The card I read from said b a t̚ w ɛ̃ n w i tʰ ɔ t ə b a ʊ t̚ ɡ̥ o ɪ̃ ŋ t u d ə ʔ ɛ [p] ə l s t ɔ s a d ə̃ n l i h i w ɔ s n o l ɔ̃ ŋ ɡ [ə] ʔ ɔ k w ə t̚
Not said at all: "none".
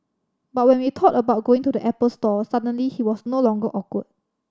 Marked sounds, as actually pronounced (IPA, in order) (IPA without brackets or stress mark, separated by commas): p, ə